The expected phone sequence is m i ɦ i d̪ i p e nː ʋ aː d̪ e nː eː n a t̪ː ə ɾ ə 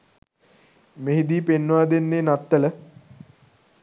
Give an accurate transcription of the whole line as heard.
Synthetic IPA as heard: m e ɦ i d̪ iː p e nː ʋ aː d̪ e nː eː n a t̪ː ə l ə